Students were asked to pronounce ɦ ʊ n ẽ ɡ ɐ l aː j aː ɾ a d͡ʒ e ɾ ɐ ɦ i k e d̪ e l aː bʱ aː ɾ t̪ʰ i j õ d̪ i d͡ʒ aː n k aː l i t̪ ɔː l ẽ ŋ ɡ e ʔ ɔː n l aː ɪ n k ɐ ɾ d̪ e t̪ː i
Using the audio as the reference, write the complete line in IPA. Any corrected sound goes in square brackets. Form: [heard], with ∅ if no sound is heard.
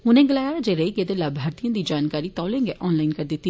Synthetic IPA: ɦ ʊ n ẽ ɡ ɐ l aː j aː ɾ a d͡ʒ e ɾ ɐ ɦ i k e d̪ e l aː bʱ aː ɾ [t̪] i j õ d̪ i d͡ʒ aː n k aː [ɾ] i t̪ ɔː l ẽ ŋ ɡ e ʔ ɔː n l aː ɪ n k ɐ ɾ d̪ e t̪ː i

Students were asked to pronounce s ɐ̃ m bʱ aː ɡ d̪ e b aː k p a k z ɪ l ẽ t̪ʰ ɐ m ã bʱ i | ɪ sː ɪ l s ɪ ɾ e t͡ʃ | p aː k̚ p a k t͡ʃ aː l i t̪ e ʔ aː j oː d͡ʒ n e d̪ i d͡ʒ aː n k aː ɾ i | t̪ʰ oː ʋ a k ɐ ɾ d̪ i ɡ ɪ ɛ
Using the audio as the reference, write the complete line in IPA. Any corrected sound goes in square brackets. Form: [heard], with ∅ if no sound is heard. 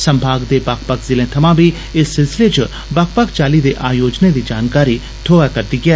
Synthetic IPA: s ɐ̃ m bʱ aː ɡ d̪ e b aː k p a k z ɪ l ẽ t̪ʰ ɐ m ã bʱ i | ɪ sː ɪ l s ɪ [l] e t͡ʃ | [b] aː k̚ p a k t͡ʃ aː l i [d̪] e ʔ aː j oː d͡ʒ n e d̪ i d͡ʒ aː n k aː ɾ i | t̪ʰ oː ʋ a k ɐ ɾ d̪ i ɡ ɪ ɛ

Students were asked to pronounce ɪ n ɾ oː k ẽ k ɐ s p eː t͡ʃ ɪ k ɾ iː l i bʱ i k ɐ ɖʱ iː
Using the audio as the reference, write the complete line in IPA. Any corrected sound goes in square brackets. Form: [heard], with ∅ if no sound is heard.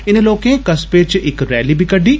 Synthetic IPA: ɪ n [l] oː k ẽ k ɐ s p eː t͡ʃ ɪ k ɾ [ɛː] l i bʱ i k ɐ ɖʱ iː

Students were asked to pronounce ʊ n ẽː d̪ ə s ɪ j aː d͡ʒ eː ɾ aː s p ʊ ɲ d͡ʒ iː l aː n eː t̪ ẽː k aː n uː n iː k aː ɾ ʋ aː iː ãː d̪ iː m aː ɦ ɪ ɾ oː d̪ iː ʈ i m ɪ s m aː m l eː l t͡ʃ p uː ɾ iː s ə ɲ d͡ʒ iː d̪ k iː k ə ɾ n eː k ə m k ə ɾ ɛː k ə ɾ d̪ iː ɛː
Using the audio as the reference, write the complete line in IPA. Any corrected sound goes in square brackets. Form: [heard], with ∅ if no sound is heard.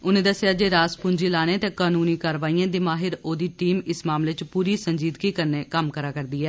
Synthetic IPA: ʊ n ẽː d̪ ə s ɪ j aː d͡ʒ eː ɾ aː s p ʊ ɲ d͡ʒ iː l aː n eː t̪ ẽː k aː n uː n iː k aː ɾ ʋ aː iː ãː d̪ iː m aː ɦ ɪ ɾ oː d̪ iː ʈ [iː] m ɪ s m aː m l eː [∅] t͡ʃ p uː ɾ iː s ə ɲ d͡ʒ iː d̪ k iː k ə ɾ n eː k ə m k ə ɾ [aː] k ə ɾ d̪ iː ɛː

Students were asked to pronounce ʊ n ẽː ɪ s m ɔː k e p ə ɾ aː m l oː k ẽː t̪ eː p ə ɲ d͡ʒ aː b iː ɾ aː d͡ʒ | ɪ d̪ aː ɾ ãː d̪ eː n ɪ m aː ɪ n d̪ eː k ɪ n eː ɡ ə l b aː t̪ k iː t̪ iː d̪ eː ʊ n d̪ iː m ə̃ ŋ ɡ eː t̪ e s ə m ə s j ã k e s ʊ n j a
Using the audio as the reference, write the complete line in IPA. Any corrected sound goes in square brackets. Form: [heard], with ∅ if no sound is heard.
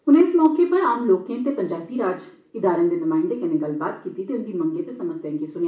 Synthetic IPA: ʊ n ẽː ɪ s m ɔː k e p ə ɾ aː m l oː k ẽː t̪ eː p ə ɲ d͡ʒ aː b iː ɾ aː d͡ʒ | ɪ d̪ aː ɾ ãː d̪ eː n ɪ m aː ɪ n d̪ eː k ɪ n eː ɡ ə l b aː t̪ k iː t̪ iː [t̪] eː ʊ n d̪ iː m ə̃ ŋ ɡ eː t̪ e s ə m ə s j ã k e s ʊ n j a

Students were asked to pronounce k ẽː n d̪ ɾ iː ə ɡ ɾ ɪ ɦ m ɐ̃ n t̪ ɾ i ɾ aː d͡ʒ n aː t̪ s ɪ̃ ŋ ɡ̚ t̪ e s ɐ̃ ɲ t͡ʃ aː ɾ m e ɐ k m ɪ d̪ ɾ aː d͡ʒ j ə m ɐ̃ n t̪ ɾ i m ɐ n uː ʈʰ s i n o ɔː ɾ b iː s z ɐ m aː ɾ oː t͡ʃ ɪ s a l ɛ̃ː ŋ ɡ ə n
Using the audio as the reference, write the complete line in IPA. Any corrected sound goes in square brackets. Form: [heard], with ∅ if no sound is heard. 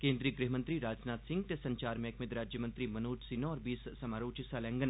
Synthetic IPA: k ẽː n d̪ ɾ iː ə ɡ ɾ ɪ ɦ m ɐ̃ n t̪ ɾ i ɾ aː d͡ʒ n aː t̪ s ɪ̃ ŋ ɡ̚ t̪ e s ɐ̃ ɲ t͡ʃ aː ɾ m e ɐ k m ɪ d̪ ɾ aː d͡ʒ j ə m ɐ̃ n t̪ ɾ i m ɐ n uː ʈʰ s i n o ɔː ɾ b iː s [s] ɐ m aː ɾ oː t͡ʃ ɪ s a l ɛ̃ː ŋ ɡ ə n

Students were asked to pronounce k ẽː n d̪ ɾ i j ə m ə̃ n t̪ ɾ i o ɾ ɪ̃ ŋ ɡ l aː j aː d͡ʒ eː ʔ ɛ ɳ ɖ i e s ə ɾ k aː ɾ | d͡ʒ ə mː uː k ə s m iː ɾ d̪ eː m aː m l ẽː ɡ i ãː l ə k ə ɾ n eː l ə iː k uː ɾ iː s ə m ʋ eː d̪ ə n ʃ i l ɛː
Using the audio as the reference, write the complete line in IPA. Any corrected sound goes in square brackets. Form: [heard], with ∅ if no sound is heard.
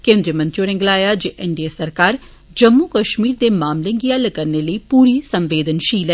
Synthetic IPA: k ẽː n d̪ ɾ i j ə m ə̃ n t̪ ɾ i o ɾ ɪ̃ ŋ ɡ l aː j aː d͡ʒ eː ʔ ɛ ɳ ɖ i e s ə ɾ k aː ɾ | d͡ʒ ə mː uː k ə [ʃ] m iː ɾ d̪ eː m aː m l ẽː ɡ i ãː l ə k ə ɾ n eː l ə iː [p] uː ɾ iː s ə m ʋ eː d̪ ə n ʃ [iː] l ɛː

